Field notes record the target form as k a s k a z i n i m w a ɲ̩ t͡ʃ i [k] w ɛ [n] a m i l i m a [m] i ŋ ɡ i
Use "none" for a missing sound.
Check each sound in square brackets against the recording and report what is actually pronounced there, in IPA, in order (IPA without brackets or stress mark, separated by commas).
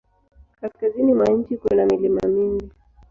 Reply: k, n, m